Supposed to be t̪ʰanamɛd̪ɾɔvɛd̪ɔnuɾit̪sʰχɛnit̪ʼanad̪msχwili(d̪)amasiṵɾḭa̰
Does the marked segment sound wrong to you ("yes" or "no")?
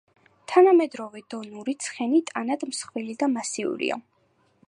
no